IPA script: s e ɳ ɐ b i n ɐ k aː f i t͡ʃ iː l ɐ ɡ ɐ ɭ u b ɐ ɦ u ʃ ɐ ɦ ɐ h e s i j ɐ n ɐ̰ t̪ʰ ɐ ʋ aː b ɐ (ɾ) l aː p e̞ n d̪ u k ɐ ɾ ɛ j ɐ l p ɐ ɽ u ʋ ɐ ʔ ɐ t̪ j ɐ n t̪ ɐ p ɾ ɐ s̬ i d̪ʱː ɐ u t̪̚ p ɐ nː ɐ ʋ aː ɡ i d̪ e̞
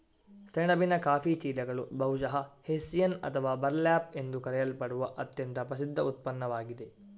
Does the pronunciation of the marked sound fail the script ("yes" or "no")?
no